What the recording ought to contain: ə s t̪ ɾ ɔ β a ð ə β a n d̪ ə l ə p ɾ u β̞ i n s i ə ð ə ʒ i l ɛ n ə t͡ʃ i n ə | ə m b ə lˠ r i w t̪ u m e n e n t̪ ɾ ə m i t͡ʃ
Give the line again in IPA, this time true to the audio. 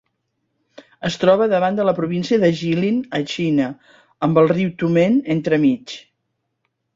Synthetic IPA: ə s t̪ ɾ ɔ β ə ð ə β a n d̪ ə l ə p ɾ u β̞ i n s i ə ð ə ʒ i l i n ə t͡ʃ i n ə | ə m b ə lˠ r i w t̪ u m e n e n t̪ ɾ ə m i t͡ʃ